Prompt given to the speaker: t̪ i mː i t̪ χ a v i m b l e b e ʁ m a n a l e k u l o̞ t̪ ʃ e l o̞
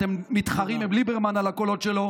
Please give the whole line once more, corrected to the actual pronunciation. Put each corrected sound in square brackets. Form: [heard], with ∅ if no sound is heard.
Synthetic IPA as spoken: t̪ [e] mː i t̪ χ a [ʁ] i m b l [i] b e ʁ m a n a l [a] k [o] l o̞ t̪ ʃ e l o̞